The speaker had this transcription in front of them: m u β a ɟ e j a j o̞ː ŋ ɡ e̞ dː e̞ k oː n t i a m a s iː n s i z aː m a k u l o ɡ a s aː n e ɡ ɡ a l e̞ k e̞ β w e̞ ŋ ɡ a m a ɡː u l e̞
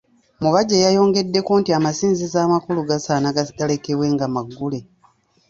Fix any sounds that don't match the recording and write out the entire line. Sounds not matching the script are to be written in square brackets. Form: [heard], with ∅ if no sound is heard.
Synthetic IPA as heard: m u β a ɟ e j a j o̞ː ŋ ɡ e̞ dː e̞ k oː n t i a m a s iː n [z] i z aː m a k u l [u] ɡ a s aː n [a] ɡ ɡ a l e̞ k e̞ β w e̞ ŋ ɡ a m a ɡː u l e̞